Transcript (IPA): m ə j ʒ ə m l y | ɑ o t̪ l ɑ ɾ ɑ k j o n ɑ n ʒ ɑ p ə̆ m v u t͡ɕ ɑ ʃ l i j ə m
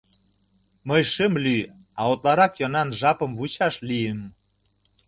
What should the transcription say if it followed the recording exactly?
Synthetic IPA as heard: m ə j ʃ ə m l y | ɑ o t̪ l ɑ ɾ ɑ k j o n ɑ n ʒ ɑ p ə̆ m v u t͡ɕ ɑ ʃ l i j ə m

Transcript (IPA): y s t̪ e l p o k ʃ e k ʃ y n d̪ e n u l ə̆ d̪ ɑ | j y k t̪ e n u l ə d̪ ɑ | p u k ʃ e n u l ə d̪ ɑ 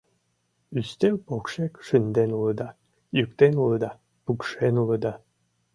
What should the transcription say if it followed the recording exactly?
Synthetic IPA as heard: y s t̪ e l p o k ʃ e k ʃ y n d̪ e n u l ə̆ d̪ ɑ | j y k t̪ e n u l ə d̪ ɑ | p u k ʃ e n u l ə d̪ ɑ

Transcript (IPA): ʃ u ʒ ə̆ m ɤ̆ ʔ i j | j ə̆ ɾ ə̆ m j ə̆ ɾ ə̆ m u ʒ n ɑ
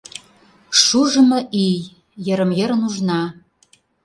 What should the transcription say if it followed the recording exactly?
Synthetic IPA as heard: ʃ u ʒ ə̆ m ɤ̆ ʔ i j | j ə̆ ɾ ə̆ m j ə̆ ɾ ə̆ n u ʒ n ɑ

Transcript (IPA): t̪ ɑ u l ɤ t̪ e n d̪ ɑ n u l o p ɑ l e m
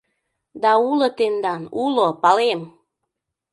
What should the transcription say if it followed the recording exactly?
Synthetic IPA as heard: d̪ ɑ u l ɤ t̪ e n d̪ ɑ n u l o p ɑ l e m

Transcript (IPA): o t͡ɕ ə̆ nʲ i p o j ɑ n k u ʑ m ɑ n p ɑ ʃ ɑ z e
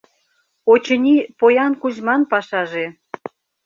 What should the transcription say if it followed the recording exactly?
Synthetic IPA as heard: o t͡ɕ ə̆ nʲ i p o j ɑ n k u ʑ m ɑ n p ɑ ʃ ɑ ʒ e

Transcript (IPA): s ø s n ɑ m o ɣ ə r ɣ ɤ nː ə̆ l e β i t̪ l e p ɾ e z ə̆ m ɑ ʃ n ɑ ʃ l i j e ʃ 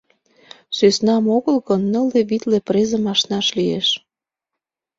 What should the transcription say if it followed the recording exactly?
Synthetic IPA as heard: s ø s n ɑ m o ɣ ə l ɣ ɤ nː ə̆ l e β i t̪ l e p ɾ e z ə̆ m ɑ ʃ n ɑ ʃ l i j e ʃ

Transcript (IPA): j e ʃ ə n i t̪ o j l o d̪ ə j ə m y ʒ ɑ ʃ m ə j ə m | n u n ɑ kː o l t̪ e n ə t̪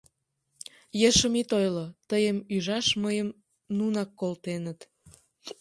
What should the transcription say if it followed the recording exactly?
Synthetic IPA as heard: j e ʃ ə m i t̪ o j l o t̪ ə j ə m y ʒ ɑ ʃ m ə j ə m | n u n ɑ kː o l t̪ e n ə t̪

